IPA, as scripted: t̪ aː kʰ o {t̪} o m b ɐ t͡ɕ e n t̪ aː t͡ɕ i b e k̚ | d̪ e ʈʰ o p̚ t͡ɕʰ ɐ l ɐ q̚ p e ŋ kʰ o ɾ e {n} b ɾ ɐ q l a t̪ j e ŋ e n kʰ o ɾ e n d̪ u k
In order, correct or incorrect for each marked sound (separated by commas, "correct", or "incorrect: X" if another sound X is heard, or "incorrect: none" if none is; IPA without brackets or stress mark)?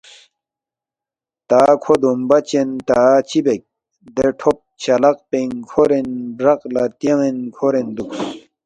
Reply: incorrect: d̪, correct